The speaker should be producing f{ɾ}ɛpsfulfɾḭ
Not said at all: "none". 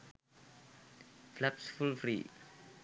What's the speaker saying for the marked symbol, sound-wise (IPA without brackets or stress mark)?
l